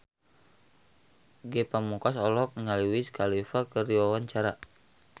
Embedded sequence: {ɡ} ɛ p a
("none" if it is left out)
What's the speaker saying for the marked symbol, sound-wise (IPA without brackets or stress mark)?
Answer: ɡ